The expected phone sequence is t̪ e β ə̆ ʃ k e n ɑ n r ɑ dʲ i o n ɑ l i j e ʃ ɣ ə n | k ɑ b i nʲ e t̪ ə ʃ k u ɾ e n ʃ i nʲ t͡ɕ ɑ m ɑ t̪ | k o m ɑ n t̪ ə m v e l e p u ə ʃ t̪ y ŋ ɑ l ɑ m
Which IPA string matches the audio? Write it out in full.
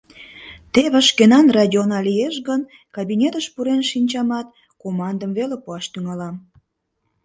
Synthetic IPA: t̪ e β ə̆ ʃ k e n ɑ n r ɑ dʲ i o n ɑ l i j e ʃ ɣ ə n | k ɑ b i nʲ e t̪ ə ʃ p u ɾ e n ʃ i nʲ t͡ɕ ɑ m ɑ t̪ | k o m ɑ n d̪ ə m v e l e p u ɑ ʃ t̪ y ŋ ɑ l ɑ m